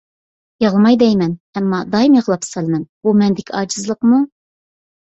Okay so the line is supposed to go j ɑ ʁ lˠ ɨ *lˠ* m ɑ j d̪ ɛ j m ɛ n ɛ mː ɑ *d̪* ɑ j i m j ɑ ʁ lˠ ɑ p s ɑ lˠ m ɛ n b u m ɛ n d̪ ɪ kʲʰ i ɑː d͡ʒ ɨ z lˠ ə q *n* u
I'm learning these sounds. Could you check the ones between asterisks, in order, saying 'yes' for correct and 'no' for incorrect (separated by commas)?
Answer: no, yes, no